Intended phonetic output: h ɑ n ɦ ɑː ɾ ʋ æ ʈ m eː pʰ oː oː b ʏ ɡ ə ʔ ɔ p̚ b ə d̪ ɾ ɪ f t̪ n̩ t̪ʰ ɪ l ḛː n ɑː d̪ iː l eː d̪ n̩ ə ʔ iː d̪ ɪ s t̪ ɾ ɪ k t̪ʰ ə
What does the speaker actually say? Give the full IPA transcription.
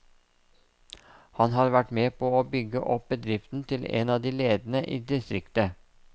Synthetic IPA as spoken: h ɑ n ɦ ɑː ɾ ʋ æ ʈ m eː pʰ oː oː b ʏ ɡ ə ʔ ɔ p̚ b ə d̪ ɾ ɪ f t̪ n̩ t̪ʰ ɪ l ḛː n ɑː d̪ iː l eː d̪ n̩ ə ʔ iː d̪ ɪ s t̪ ɾ ɪ k t̪ ə